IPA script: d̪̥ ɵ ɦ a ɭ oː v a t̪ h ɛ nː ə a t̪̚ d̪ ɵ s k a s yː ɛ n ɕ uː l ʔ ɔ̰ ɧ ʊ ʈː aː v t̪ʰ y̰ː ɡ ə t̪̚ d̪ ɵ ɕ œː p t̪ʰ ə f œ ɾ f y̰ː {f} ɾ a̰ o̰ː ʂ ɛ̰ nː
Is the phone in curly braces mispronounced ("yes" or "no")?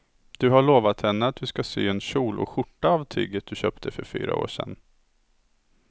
yes